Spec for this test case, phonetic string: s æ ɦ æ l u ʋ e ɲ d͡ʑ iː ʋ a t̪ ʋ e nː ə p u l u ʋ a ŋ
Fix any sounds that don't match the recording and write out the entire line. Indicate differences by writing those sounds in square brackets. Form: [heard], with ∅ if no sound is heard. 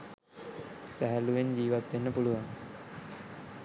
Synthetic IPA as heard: s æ ɦ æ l u ʋ e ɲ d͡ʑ iː ʋ a t̪ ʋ e nː ə p u l u ʋ a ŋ